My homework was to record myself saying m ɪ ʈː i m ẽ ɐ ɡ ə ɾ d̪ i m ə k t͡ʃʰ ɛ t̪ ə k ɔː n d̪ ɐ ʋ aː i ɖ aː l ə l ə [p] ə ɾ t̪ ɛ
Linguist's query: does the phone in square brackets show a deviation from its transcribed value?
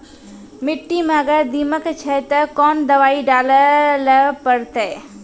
no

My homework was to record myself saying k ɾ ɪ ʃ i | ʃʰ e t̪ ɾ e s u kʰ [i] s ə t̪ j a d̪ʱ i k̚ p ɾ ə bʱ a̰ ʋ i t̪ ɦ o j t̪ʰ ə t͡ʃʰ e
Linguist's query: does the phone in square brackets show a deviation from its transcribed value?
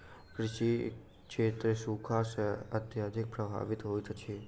yes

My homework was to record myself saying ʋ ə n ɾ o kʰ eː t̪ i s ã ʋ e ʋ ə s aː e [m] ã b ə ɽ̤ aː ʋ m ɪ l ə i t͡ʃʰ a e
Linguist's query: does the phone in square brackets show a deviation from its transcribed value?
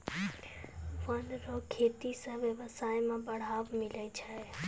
no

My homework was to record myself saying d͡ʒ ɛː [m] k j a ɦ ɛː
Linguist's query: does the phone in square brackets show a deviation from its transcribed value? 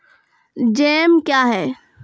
no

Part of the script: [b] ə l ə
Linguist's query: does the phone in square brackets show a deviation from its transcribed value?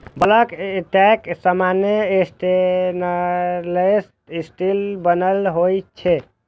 no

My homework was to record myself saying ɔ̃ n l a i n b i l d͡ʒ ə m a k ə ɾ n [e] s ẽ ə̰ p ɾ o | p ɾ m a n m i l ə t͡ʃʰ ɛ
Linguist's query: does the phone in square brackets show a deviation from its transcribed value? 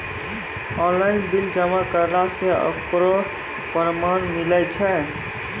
yes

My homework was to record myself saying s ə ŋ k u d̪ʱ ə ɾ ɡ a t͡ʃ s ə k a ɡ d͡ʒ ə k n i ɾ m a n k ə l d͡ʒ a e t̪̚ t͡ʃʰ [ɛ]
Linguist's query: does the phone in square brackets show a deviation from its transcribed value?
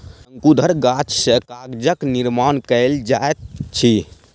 yes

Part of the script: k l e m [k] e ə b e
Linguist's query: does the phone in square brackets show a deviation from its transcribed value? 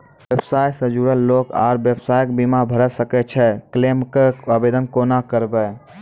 no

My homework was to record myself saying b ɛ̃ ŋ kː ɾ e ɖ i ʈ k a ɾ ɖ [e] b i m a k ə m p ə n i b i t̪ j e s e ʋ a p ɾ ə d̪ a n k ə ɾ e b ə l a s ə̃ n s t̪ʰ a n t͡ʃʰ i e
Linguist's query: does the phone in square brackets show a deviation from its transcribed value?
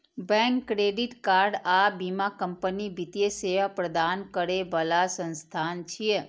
yes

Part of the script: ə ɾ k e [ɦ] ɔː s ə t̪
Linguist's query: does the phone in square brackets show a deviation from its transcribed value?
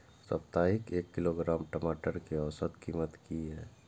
yes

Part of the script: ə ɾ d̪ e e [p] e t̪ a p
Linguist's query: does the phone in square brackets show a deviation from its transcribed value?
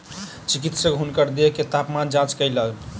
yes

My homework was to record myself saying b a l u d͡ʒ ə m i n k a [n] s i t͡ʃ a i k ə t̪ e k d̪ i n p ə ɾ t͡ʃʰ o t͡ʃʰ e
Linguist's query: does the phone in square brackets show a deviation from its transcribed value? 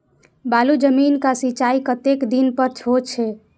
yes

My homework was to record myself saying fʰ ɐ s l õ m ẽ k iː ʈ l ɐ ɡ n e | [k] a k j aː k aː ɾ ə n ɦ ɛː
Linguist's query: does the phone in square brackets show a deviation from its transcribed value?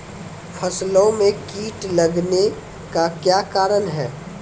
no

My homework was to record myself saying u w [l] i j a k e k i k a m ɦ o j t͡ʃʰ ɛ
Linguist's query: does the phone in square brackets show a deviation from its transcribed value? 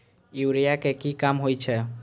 yes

